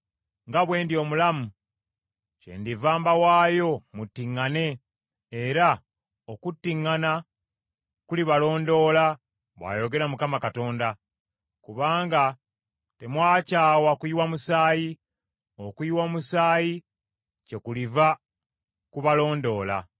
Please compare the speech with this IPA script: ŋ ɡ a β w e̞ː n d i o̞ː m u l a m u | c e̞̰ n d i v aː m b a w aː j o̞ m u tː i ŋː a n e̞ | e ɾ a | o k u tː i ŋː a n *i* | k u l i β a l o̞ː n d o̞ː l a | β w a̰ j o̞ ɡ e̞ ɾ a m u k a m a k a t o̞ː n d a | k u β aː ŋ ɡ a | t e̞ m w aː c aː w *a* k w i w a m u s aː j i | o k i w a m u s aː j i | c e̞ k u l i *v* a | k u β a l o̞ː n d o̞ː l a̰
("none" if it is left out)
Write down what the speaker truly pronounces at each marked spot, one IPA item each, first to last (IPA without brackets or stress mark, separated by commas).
a, a, v